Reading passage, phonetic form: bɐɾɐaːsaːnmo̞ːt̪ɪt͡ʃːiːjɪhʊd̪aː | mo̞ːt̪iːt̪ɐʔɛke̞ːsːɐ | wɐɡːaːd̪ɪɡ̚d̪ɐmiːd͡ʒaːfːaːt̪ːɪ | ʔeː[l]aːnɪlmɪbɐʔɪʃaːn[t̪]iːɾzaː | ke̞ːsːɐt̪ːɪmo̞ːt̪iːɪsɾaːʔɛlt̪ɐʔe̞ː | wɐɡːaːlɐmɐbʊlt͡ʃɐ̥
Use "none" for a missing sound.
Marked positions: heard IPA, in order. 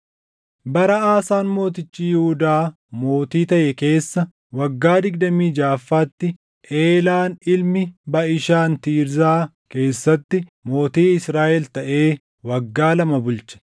l, t̪

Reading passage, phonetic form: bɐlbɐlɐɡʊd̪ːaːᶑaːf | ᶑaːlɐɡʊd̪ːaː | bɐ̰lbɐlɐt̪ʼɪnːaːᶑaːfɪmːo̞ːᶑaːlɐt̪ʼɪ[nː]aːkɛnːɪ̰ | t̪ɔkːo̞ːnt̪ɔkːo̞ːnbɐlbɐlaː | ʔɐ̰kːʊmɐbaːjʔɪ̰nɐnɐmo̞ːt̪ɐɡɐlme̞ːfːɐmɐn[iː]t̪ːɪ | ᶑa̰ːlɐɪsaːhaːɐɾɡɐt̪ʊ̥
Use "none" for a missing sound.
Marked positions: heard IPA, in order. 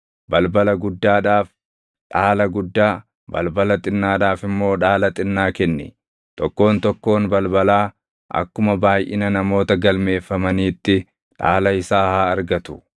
nː, iː

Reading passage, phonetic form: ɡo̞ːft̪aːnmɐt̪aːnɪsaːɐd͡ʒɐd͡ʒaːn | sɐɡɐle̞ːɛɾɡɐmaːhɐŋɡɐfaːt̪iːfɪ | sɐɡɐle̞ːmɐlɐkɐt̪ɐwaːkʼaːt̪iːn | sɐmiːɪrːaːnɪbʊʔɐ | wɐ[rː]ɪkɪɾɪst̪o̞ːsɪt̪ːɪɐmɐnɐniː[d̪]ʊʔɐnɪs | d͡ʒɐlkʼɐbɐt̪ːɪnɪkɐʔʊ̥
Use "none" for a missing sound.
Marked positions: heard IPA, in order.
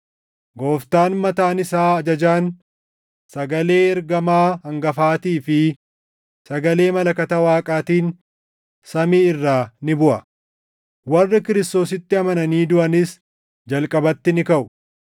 rː, d̪

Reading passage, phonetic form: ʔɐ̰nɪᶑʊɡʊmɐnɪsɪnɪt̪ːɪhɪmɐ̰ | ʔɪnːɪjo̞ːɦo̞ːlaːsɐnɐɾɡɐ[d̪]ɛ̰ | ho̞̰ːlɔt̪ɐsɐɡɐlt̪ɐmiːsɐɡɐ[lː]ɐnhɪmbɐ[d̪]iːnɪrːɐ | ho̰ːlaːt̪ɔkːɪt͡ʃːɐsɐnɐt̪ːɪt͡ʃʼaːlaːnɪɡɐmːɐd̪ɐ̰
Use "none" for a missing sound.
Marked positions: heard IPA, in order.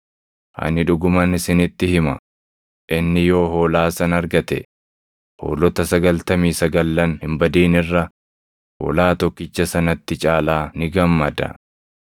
t̪, lː, d̪

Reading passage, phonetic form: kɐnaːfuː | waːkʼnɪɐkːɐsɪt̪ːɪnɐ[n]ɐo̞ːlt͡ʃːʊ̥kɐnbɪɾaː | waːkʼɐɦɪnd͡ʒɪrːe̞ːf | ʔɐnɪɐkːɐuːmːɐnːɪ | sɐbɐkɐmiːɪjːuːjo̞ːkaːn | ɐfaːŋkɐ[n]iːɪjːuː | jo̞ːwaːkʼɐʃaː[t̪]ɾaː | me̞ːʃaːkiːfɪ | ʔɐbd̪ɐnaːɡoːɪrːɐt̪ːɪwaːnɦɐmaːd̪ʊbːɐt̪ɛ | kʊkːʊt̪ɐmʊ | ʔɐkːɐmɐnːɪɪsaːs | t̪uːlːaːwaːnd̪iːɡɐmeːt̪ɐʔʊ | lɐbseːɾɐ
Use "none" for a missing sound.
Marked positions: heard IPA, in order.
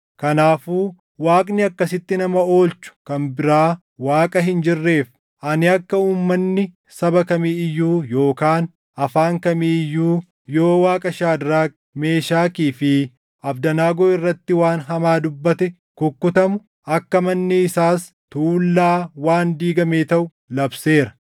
m, m, d̪

